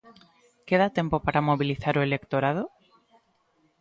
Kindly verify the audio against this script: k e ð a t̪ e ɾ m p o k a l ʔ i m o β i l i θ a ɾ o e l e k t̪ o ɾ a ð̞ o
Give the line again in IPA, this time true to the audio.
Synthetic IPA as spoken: k e ð a t̪ e m p o p a ɾ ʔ a m o β i l i θ a ɾ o e l e k t̪ o ɾ a ð̞ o